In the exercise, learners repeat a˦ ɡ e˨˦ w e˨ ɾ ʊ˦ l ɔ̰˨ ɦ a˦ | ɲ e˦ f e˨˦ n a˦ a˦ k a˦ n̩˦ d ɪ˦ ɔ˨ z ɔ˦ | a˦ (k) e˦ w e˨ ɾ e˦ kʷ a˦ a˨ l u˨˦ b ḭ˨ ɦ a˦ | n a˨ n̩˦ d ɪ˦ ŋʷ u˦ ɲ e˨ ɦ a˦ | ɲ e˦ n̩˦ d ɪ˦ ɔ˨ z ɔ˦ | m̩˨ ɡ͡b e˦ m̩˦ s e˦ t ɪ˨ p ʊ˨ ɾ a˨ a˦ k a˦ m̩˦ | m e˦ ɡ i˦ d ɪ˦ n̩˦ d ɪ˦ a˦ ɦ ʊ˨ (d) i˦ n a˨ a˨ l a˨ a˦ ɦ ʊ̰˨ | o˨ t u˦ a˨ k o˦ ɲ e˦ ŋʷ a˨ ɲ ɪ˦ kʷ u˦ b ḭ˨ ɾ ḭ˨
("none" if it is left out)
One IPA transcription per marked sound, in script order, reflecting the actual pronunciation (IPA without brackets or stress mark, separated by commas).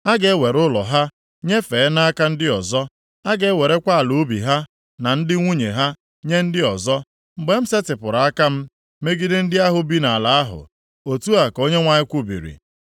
ɡ, b